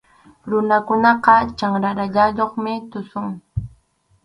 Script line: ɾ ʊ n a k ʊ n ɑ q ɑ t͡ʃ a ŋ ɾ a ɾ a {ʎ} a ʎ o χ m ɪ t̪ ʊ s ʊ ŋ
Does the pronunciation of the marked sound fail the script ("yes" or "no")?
no